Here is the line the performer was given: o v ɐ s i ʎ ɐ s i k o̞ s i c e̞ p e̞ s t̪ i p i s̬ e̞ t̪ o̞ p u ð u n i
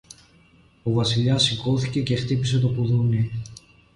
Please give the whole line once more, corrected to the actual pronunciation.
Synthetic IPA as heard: o v ɐ s i ʎ ɐ s i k o̞ θ i c e̞ c e̞ x t̪ i p i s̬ e̞ t̪ o̞ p u ð u n i